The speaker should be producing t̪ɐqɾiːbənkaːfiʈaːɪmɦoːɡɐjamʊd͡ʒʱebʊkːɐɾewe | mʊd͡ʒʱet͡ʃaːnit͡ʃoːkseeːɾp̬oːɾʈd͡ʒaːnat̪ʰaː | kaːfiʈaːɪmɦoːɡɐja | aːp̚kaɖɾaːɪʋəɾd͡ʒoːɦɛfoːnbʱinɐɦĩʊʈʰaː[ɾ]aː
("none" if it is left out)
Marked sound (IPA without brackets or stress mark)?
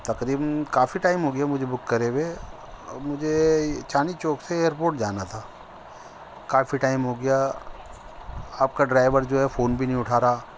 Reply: ɾ